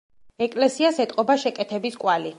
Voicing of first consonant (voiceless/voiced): voiceless